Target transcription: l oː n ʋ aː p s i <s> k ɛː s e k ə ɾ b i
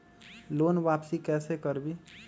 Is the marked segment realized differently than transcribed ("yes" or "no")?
yes